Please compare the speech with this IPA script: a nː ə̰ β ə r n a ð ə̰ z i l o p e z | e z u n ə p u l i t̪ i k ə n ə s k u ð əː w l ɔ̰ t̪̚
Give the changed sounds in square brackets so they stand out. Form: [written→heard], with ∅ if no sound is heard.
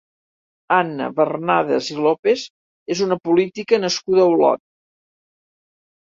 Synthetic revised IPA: a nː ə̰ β ə r n a ð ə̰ z i l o p e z | e z u n ə p u l i t̪ i k ə n ə s k u ð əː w l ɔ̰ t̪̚